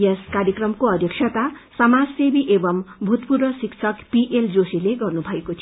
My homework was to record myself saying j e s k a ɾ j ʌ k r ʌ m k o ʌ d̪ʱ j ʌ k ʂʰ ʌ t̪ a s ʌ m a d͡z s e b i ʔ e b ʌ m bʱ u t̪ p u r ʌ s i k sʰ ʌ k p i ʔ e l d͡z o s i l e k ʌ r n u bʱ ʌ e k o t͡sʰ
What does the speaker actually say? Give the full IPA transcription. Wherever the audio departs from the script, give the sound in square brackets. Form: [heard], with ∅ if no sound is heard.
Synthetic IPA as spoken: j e s k a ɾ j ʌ k r ʌ m k o ʌ d̪ʱ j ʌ k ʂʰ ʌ t̪ a s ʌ m a d͡z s e b i ʔ e b ʌ m bʱ u t̪ p u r ʌ s i k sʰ ʌ k p i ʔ e l d͡z o s i l e [ɡ] ʌ r n u bʱ ʌ e k o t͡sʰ